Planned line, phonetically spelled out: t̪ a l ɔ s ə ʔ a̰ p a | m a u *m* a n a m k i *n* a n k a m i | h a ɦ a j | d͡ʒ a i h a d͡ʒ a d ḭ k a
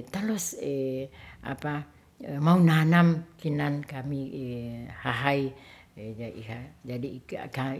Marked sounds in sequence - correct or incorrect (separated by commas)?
incorrect, correct